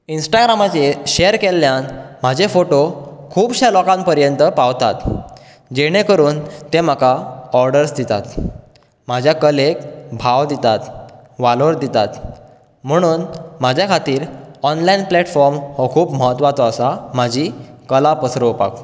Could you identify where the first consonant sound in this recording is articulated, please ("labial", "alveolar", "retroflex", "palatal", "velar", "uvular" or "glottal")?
alveolar